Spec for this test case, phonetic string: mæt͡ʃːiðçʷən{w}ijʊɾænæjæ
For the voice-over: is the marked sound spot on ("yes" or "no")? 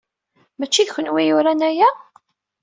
yes